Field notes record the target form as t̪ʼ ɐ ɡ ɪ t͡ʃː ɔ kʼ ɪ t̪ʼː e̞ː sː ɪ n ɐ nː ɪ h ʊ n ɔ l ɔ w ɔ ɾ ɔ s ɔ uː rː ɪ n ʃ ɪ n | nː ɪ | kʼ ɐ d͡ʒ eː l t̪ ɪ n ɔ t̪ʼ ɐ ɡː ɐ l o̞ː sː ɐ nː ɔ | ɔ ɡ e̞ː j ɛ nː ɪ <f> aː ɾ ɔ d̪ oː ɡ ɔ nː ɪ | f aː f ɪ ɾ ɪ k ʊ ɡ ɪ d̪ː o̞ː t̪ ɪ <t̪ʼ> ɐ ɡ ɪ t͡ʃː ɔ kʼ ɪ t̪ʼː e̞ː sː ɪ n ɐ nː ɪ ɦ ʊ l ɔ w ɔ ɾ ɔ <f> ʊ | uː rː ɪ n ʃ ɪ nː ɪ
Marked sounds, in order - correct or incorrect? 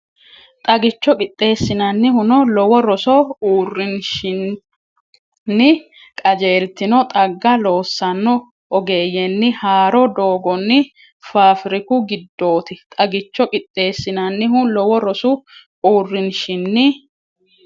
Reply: incorrect, correct, incorrect

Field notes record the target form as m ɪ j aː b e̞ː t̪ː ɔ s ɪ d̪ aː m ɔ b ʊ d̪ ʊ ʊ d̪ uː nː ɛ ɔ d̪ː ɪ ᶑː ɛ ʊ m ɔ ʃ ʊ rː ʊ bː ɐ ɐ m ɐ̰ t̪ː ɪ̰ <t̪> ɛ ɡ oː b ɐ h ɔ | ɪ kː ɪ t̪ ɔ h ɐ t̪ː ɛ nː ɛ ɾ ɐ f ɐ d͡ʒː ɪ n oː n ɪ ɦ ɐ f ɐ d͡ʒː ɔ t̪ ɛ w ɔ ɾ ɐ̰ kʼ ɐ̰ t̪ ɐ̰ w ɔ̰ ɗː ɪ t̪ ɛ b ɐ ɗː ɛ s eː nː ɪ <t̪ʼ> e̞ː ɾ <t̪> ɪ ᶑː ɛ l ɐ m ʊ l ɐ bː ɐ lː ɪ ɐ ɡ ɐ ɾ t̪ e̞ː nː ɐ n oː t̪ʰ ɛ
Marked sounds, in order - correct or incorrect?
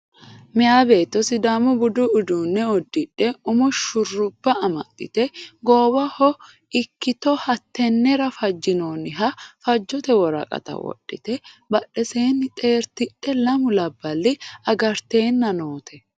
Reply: correct, correct, correct

